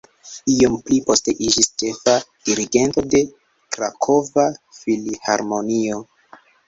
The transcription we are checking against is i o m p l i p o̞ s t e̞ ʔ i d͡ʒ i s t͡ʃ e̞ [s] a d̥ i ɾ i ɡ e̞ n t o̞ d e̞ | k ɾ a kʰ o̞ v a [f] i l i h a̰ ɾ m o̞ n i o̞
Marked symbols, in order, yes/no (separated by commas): no, yes